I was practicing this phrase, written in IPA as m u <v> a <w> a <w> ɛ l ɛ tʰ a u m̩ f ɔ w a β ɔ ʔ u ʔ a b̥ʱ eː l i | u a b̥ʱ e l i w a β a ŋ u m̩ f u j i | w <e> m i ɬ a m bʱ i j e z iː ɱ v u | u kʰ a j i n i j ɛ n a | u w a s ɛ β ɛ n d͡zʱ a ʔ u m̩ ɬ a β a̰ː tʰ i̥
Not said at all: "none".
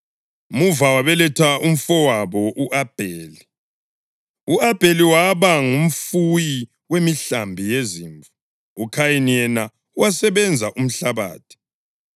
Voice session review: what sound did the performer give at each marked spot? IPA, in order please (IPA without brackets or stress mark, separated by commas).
v, w, β, e